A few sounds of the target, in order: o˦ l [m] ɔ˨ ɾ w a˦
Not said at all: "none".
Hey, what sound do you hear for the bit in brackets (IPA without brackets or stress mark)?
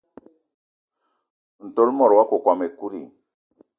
m